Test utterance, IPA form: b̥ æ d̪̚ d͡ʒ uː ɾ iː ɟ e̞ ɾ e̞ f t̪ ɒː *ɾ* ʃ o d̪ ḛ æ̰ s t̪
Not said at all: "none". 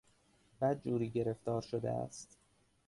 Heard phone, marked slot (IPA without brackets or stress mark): ɾ